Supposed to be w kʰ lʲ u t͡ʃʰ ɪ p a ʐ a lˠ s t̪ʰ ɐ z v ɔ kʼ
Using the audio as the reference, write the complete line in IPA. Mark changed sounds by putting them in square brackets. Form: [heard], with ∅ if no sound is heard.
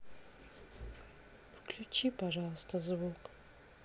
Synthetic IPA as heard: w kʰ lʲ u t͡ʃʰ [i] p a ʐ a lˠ s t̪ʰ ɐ z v [u] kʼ

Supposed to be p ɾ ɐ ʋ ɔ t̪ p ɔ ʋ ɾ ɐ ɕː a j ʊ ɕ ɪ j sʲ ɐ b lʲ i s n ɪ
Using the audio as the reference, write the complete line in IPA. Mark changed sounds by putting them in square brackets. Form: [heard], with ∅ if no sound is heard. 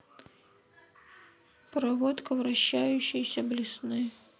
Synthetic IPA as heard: p ɾ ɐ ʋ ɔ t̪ [k] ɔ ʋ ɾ ɐ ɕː a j ʊ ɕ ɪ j sʲ ɐ b lʲ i s n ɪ

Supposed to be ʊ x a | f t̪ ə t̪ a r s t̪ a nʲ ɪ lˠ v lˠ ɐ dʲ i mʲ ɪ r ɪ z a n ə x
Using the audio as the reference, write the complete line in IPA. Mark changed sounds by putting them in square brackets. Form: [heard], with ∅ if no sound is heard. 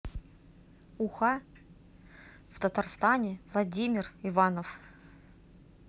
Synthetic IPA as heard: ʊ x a | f t̪ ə t̪ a r s t̪ a nʲ ɪ [∅] v lˠ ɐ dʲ i mʲ ɪ r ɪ [v] a n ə [f]

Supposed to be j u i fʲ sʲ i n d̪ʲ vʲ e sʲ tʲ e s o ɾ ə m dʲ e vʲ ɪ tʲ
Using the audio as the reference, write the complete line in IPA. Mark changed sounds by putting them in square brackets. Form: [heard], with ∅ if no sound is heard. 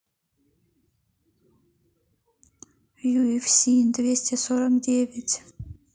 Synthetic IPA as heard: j u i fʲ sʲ i n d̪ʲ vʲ e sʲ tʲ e s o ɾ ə m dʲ e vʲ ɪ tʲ

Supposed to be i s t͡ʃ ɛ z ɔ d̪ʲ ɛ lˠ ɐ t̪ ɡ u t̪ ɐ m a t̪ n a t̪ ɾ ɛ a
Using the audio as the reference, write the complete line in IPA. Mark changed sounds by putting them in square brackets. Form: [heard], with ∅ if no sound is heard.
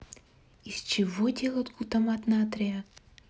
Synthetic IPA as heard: i s t͡ʃ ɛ [v] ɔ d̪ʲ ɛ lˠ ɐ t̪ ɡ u t̪ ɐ m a t̪ n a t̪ ɾ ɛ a

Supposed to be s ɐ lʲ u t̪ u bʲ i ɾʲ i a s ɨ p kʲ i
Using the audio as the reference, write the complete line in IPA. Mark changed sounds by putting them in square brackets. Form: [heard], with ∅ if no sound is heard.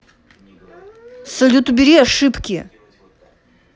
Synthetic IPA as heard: s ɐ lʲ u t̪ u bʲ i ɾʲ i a [ʂ] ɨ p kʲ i

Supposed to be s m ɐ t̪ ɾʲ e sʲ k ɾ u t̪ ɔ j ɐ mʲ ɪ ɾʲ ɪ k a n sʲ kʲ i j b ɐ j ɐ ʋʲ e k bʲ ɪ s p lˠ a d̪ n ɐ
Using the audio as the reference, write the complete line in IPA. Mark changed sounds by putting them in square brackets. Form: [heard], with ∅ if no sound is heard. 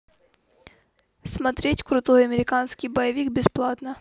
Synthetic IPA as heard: s m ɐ t̪ ɾʲ e [tʲ] k ɾ [ʊ] t̪ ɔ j ɐ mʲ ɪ ɾʲ ɪ k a n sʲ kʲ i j b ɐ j ɐ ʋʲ [i] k bʲ ɪ s p lˠ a [t̪] n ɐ

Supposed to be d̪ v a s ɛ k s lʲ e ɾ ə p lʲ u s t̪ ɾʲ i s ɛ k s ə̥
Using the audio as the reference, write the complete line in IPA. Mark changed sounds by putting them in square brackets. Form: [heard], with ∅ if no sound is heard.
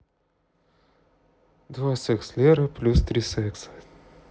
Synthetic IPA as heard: d̪ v a s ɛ k s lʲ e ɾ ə p lʲ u s t̪ ɾʲ i s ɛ k s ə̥

